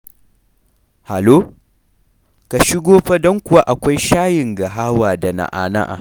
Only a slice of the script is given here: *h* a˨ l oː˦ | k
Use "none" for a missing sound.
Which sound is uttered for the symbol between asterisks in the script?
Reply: h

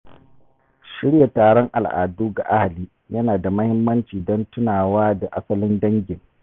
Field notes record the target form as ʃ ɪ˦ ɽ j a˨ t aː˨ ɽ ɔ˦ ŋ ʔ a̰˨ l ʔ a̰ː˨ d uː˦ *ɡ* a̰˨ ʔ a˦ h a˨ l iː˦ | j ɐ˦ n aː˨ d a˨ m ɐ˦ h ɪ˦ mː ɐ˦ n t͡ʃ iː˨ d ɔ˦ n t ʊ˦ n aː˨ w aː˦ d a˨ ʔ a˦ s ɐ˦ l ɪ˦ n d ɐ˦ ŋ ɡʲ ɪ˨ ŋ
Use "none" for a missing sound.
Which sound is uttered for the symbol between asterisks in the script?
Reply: ɡ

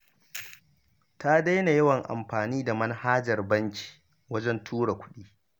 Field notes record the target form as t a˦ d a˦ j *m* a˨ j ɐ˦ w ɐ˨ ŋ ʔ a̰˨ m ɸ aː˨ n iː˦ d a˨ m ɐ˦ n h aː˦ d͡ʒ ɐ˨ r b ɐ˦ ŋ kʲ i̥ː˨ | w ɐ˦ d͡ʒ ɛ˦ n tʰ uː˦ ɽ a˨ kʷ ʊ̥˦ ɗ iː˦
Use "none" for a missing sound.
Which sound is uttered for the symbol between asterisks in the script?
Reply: n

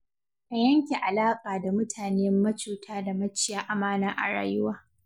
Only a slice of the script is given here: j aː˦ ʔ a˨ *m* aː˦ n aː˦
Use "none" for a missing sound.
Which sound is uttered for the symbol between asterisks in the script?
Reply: m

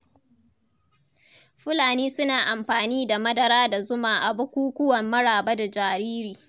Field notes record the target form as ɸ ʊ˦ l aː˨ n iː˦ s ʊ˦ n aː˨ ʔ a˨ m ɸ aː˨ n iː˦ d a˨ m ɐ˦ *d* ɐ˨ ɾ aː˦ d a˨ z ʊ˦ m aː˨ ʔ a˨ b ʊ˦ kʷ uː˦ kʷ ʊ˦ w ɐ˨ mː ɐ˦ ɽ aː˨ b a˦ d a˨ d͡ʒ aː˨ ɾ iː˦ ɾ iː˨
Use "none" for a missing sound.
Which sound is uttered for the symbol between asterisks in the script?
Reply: d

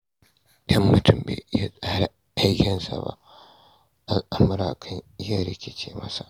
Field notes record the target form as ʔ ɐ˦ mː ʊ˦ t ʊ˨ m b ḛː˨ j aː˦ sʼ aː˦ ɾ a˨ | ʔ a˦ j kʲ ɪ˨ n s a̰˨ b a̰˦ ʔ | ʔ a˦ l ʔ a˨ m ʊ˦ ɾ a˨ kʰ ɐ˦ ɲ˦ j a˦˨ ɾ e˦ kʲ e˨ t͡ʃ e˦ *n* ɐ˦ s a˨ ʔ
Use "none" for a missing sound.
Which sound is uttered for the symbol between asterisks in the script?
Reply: m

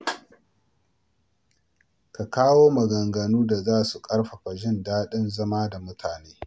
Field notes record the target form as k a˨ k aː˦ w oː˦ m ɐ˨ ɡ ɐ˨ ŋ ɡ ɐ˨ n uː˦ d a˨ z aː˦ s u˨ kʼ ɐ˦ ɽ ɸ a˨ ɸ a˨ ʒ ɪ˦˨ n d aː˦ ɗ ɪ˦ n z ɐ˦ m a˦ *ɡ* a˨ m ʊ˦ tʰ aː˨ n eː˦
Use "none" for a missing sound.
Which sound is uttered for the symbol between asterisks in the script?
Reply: d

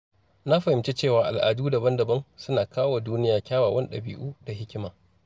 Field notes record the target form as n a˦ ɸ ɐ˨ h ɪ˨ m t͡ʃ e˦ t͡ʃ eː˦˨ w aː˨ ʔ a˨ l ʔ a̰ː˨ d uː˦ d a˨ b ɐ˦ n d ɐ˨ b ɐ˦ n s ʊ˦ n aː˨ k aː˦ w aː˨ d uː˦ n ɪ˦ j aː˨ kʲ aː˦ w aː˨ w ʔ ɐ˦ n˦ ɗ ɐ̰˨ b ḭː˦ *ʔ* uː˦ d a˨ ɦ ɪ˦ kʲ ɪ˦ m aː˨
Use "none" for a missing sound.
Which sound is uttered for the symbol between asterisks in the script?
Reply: ʔ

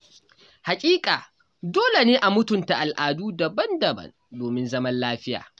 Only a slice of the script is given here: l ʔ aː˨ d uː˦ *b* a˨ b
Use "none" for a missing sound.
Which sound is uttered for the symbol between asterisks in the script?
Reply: d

